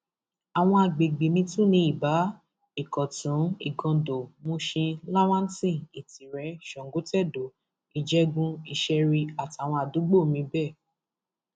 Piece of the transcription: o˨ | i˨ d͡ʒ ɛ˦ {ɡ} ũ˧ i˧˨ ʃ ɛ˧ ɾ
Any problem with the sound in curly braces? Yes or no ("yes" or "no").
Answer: no